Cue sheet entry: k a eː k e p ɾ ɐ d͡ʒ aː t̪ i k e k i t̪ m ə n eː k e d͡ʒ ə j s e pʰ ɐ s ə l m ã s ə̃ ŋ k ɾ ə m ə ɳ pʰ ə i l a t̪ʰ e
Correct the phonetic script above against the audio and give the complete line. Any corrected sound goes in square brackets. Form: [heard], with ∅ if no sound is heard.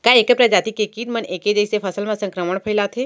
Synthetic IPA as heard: k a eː k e p ɾ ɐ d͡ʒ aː t̪ i k e k i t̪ m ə n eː k e d͡ʒ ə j s e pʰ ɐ s ə l m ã s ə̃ ŋ k ɾ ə m ə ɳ pʰ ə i l a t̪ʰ e